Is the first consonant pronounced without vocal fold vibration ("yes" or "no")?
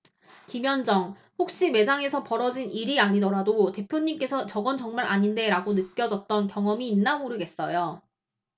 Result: yes